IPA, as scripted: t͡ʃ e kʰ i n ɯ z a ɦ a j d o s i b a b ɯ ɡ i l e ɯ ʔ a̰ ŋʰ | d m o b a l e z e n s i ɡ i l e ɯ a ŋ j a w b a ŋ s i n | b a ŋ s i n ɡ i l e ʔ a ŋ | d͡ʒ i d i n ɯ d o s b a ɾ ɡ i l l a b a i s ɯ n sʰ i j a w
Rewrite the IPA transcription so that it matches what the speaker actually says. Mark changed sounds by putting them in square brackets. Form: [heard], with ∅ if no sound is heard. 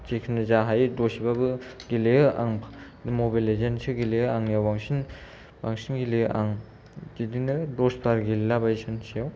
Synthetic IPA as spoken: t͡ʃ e kʰ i n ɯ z a ɦ a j d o s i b a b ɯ ɡ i l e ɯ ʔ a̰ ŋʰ | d m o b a l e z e n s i ɡ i l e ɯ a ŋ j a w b a ŋ s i n | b a ŋ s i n ɡ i l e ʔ a ŋ | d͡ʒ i d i n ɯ d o s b a ɾ ɡ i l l a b a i s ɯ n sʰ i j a w